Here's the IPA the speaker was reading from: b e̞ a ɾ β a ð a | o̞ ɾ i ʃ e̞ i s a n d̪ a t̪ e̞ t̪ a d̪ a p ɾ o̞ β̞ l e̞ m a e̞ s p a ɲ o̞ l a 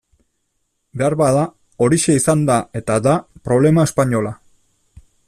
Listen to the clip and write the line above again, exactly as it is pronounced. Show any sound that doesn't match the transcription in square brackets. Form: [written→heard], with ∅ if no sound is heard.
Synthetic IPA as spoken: b e̞ a ɾ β a ð a | o̞ ɾ i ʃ e̞ i s a n d̪ a [t̪→∅] e̞ t̪ a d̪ a p ɾ o̞ β̞ l e̞ m a e̞ s p a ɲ o̞ l a